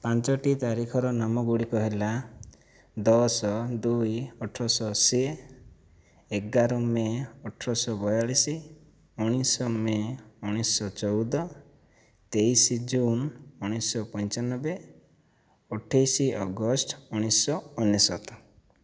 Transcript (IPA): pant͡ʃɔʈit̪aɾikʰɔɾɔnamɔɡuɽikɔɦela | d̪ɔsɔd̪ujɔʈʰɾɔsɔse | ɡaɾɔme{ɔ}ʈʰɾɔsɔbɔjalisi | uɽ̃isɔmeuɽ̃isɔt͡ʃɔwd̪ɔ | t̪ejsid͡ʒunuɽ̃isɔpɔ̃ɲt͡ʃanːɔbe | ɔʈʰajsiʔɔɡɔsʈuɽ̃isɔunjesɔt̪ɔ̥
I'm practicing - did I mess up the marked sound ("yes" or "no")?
no